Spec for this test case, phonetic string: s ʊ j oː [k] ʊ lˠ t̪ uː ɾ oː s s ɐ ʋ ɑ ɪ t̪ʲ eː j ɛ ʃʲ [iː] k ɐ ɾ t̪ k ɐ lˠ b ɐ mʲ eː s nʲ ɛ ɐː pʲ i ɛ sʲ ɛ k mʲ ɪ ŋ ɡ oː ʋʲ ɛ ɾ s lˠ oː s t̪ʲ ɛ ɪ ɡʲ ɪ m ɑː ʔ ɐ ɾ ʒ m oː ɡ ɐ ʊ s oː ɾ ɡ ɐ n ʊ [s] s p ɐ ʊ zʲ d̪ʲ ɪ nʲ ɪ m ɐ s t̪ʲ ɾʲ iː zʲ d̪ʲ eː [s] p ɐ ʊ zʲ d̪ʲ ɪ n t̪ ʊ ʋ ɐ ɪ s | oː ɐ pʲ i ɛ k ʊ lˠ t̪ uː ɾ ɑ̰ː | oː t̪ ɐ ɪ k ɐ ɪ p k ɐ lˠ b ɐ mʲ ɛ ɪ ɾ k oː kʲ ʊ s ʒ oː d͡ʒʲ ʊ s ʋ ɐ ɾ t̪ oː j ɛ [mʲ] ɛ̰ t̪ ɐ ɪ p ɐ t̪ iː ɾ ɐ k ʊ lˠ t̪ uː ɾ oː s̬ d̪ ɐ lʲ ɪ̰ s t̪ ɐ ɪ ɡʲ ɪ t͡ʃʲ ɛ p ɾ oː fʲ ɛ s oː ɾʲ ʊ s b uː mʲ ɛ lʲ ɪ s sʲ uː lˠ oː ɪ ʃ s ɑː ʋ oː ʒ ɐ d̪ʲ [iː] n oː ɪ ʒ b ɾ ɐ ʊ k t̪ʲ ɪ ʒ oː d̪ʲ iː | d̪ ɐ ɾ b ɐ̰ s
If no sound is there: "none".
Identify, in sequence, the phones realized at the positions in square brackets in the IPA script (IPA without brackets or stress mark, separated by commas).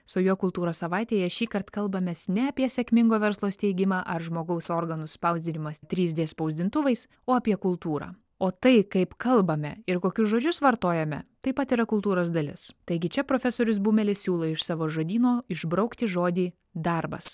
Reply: k, iː, s, s, mʲ, iː